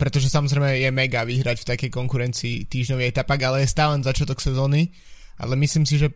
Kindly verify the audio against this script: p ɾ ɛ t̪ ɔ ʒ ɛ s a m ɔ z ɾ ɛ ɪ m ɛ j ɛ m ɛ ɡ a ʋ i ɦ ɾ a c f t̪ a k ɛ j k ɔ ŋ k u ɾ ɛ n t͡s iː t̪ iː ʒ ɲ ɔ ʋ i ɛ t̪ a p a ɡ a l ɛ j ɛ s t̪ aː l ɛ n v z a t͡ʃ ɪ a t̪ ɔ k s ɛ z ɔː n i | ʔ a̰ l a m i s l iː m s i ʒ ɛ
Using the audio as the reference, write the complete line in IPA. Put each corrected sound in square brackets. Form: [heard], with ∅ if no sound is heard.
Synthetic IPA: p ɾ ɛ t̪ ɔ ʒ ɛ s a m ɔ z ɾ ɛ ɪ m ɛ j ɛ m ɛ ɡ a ʋ i ɦ ɾ a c f t̪ a k ɛ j k ɔ ŋ k u ɾ ɛ n t͡s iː t̪ iː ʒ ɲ ɔ ʋ i ɛ t̪ a p a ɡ a l ɛ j ɛ s t̪ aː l ɛ n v z a t͡ʃ ɪ a t̪ ɔ k s ɛ z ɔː n i | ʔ a̰ l [ɛ] m i s l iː m s i ʒ ɛ